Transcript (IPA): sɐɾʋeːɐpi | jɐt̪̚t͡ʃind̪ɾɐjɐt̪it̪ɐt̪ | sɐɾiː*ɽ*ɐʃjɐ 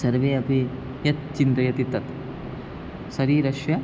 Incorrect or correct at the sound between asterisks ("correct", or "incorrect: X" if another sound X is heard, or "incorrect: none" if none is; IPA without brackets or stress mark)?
incorrect: ɾ